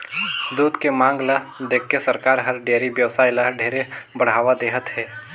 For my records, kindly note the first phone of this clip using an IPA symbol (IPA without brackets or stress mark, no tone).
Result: d̪